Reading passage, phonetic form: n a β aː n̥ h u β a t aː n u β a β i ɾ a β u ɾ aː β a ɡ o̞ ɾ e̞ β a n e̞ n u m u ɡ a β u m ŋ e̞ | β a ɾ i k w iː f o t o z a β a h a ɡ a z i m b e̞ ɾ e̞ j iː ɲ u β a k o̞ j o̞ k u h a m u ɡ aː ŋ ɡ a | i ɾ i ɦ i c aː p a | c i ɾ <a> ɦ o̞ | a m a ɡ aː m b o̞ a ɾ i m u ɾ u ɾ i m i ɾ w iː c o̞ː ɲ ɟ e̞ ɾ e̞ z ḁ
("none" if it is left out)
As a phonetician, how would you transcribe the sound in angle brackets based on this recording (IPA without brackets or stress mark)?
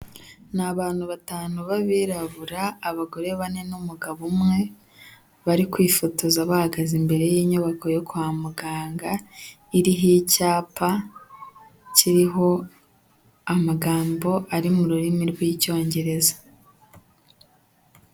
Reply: i